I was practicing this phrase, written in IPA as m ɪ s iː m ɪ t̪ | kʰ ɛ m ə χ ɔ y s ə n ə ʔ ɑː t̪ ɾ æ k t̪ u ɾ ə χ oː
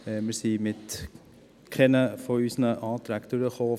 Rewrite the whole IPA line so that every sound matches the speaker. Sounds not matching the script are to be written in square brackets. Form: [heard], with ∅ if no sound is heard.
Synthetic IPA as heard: m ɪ s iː m ɪ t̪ | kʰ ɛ [n] ə [f] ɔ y s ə n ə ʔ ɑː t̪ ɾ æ k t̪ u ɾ ə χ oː